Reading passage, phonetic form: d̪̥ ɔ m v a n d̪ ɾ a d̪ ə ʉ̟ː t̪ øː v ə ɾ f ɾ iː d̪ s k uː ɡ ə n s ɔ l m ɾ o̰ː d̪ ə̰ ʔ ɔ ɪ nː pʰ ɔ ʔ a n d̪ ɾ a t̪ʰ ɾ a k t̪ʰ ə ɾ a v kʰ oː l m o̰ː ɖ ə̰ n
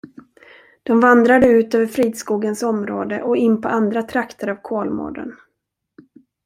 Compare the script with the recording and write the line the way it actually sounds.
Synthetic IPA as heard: d̪̥ ɔ m v a n d̪ ɾ a d̪ ə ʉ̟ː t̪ øː v ə ɾ f ɾ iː d̪ s k uː ɡ ə n s ɔ m ɾ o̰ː d̪ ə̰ ʔ ɔ ɪ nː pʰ ɔ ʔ a n d̪ ɾ a t̪ʰ ɾ a k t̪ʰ ə ɾ a v kʰ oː l m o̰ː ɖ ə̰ n

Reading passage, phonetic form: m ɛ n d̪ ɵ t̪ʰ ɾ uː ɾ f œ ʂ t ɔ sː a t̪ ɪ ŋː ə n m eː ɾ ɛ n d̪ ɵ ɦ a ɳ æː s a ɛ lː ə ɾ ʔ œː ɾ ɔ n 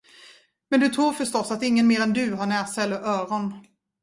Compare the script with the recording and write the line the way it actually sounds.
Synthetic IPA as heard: m ɛ n d̪ ɵ t̪ʰ ɾ uː ɾ f œ ʂ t ɔ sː a t̪ ɪ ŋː ə n m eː ɾ ɛ n d̪ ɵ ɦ a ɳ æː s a ɛ lː ə ɾ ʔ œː ɾ ɔ n

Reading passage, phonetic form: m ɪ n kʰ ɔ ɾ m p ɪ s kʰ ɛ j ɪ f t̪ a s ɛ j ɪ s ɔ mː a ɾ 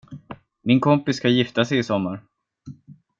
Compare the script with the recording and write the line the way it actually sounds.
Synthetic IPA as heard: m ɪ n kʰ ɔ m p ɪ s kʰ a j ɪ f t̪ a s ɛ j ɪ s ɔ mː a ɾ

